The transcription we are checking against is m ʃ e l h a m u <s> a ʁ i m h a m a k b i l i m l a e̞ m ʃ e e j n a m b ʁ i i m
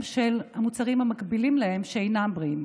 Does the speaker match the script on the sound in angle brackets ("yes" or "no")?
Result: no